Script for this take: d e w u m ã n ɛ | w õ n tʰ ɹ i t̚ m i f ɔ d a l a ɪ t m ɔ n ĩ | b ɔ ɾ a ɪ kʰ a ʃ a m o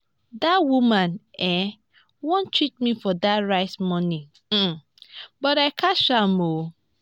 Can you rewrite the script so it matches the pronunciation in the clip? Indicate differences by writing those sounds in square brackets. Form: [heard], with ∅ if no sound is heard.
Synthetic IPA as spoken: d [a] w u m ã n ɛ | w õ n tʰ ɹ i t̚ m i f ɔ d a [ɹ] a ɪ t m ɔ n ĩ | b ɔ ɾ a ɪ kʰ a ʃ a m o